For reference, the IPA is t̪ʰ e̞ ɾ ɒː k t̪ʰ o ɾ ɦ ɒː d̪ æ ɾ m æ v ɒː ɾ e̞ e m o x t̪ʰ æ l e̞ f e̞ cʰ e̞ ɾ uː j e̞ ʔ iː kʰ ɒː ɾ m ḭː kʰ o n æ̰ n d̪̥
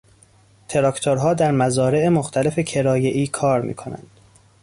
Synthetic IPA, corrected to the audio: t̪ʰ e̞ ɾ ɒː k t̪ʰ o ɾ ɦ ɒː d̪ æ ɾ m æ z ɒː ɾ e̞ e m o x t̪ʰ æ l e̞ f e̞ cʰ e̞ ɾ ɒː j e̞ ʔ iː kʰ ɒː ɾ m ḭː kʰ o n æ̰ n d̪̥